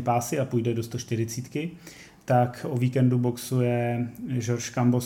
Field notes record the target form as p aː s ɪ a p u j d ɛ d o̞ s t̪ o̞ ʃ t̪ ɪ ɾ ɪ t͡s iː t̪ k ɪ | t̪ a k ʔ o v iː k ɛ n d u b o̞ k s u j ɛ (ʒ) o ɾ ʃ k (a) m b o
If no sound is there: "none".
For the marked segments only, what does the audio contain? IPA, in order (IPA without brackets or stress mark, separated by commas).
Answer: ʒ, a